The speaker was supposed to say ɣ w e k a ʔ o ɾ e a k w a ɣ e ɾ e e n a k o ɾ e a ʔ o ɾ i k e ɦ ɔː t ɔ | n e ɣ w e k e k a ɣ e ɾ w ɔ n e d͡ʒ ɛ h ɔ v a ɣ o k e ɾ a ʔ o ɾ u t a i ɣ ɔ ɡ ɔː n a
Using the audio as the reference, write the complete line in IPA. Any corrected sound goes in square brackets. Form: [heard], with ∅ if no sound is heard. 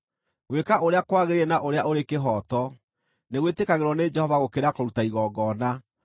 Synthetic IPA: ɣ w e k a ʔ o ɾ e a k w a ɣ e ɾ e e n a [ʔ] o ɾ e a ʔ o ɾ [e] k e ɦ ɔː t ɔ | n e ɣ w e [t] e k a ɣ e ɾ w ɔ n e d͡ʒ ɛ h ɔ v a ɣ o k e ɾ a [k] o ɾ u t a i ɣ ɔ ɡ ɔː n a